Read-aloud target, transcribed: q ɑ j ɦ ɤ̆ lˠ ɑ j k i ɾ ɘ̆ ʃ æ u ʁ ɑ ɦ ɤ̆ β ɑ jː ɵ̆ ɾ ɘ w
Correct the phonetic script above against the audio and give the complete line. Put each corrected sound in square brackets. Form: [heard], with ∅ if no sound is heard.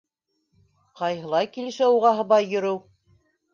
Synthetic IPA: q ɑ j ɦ ɤ̆ lˠ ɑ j k i [l] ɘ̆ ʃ æ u ʁ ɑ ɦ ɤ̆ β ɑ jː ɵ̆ ɾ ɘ w